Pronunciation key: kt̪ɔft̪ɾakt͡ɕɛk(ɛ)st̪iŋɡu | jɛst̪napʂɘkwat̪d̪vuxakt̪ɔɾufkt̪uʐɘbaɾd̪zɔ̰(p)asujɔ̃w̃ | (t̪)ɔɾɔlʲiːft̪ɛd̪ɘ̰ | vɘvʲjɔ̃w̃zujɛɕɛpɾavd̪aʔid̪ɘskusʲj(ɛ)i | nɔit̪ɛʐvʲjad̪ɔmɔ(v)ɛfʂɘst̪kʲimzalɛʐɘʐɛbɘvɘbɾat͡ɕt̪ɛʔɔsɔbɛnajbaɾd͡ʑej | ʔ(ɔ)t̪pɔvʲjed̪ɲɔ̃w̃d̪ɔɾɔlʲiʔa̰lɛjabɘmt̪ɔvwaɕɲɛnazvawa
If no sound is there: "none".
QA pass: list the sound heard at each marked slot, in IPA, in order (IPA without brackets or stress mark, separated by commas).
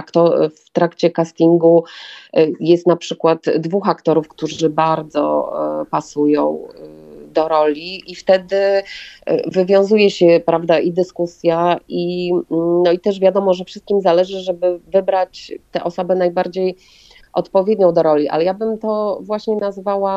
a, p, d̪, a, ʐ, ɔ